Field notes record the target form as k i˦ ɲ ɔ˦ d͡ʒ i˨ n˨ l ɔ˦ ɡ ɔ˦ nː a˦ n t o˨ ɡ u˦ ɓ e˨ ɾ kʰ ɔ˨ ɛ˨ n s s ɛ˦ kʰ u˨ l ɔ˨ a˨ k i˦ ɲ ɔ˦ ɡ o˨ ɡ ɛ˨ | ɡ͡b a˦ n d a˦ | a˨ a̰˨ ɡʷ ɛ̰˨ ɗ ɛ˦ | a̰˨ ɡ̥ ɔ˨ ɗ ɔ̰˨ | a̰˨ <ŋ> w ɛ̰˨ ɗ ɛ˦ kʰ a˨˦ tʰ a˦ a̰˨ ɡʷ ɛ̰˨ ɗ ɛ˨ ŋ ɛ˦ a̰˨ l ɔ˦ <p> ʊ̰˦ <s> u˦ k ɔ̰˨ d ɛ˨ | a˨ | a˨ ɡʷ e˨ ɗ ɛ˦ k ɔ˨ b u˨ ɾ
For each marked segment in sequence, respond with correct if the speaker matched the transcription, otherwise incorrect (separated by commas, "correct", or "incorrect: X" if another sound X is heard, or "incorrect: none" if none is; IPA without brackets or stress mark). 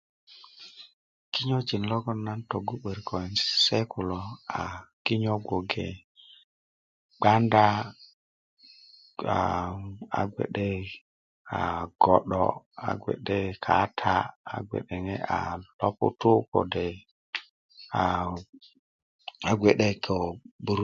incorrect: ɡ, correct, incorrect: t